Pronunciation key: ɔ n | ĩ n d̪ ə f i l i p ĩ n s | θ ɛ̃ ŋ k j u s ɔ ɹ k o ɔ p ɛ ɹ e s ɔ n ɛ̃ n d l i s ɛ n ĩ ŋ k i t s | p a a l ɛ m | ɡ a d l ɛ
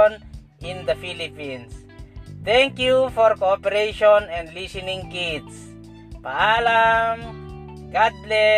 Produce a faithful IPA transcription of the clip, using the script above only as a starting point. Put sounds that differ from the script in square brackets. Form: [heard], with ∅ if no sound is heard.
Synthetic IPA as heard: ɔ n | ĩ n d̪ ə f i l i p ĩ n s | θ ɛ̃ ŋ k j u [f] ɔ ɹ k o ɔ p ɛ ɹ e [ʃ] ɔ n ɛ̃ n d l i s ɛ n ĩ ŋ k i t s | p a a l [a] m | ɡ a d l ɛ